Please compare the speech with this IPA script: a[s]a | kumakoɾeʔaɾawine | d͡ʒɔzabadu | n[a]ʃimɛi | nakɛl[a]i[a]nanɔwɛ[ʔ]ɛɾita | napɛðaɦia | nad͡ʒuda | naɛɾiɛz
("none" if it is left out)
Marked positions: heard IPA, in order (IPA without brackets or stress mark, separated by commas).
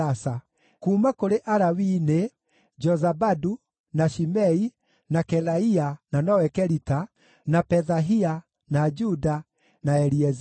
s, a, a, a, k